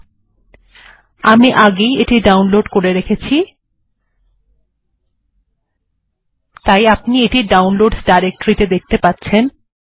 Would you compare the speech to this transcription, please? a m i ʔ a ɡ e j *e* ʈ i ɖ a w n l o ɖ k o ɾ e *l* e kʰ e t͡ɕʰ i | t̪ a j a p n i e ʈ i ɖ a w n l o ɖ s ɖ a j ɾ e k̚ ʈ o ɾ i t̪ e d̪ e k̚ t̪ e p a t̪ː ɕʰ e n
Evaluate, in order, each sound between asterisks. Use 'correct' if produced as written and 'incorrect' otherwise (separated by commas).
correct, incorrect